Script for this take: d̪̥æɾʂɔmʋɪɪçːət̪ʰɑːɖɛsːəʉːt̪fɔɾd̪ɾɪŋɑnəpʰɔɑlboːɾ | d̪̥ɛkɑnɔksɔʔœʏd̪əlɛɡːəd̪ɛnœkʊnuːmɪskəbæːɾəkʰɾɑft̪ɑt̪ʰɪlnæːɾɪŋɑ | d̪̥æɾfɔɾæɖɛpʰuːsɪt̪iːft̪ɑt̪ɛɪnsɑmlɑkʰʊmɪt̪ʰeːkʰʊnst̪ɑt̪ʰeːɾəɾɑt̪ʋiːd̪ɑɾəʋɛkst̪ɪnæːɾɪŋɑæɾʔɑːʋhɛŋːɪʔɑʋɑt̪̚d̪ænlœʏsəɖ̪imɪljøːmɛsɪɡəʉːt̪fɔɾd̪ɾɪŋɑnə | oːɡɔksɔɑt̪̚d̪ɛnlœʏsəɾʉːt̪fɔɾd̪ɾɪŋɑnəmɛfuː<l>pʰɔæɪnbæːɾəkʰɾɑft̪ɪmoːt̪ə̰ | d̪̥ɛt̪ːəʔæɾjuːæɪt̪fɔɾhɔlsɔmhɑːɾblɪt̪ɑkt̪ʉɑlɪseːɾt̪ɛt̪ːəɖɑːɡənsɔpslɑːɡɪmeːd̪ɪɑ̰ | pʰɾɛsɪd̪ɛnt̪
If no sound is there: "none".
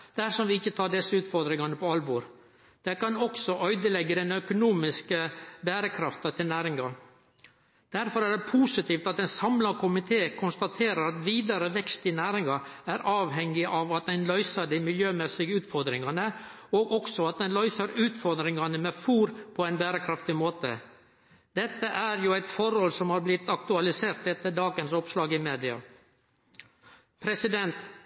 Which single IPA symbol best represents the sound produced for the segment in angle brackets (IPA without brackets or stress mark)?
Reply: ɾ